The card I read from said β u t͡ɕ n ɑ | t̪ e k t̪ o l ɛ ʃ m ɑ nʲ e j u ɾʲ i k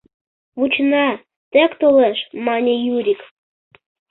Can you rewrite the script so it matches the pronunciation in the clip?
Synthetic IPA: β u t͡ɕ n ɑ | t̪ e k t̪ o l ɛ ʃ m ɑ nʲ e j u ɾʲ i k